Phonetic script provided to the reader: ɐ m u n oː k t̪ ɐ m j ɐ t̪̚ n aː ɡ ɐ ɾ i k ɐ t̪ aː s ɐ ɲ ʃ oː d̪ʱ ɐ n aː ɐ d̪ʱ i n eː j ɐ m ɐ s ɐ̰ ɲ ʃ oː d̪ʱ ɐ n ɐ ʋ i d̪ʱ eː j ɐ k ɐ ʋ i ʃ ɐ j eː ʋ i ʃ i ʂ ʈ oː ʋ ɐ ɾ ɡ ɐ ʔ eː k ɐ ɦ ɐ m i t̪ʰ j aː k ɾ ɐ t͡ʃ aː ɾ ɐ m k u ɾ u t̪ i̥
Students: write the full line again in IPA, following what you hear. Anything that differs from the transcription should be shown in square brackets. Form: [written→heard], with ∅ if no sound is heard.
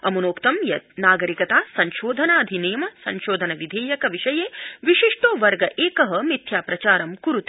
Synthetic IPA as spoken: ɐ m u n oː k t̪ ɐ m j ɐ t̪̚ n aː ɡ ɐ ɾ i k ɐ t̪ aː s ɐ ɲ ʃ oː d̪ʱ ɐ n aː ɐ d̪ʱ i n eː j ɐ m ɐ s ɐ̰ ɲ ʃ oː d̪ʱ ɐ n ɐ ʋ i d̪ʱ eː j ɐ k ɐ ʋ i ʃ ɐ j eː ʋ i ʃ i ʂ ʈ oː ʋ ɐ ɾ ɡ ɐ ʔ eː k ɐ ɦ ɐ m i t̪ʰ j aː [k→p] ɾ ɐ t͡ʃ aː ɾ ɐ m k u ɾ u t̪ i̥